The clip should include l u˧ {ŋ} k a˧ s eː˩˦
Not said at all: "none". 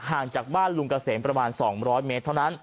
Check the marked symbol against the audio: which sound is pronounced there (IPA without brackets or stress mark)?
ŋ